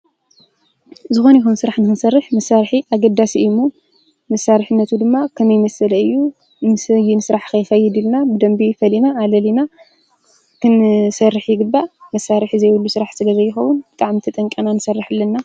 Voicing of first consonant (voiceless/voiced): voiced